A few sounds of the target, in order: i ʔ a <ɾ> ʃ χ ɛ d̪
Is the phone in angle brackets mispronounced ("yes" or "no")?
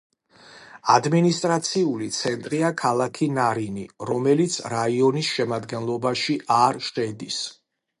no